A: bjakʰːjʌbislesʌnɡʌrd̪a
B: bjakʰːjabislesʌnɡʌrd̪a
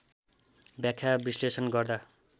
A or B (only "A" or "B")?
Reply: B